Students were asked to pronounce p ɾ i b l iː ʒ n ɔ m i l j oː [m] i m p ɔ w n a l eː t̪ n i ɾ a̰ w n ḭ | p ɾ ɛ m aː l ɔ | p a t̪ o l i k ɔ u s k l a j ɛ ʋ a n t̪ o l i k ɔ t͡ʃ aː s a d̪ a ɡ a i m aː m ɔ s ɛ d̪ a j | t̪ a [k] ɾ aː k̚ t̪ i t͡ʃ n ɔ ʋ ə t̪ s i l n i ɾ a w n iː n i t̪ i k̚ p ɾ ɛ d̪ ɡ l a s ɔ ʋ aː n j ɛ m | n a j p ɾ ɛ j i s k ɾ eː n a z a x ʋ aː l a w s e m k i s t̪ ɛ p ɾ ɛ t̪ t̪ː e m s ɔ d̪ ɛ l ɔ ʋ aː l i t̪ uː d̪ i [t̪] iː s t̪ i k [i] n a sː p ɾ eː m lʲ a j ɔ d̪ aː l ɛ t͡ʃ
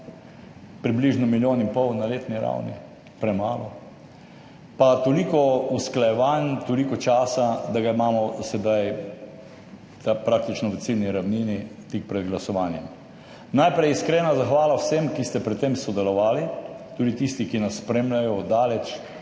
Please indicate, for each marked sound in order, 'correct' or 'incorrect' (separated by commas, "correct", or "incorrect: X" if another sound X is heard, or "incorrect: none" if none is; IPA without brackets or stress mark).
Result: incorrect: n, incorrect: p, correct, correct